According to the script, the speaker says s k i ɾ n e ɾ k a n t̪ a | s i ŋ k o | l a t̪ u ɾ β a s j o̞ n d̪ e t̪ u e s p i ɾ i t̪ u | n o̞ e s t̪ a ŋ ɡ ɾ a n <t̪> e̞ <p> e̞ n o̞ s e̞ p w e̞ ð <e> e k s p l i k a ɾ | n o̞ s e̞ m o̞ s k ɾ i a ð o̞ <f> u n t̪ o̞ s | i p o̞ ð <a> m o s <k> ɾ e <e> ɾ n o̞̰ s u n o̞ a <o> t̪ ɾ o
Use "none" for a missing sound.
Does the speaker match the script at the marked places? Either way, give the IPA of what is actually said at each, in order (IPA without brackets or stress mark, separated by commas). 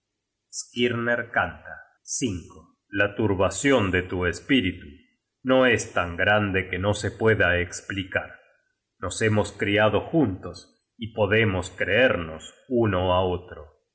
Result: d̪, k, a, x, e, k, e, o